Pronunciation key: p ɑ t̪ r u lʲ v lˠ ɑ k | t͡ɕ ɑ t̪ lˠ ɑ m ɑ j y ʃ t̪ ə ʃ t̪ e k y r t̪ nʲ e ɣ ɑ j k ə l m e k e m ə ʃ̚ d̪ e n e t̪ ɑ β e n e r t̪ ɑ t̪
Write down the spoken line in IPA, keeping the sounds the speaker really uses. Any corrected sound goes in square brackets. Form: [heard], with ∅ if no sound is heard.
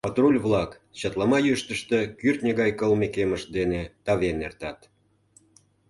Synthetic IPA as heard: p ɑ t̪ r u lʲ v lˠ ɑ k | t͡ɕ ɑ t̪ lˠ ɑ m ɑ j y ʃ t̪ ə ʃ t̪ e k y r t̪ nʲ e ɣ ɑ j k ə l m e k e m ə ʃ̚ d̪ e n e t̪ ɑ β e n e r t̪ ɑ t̪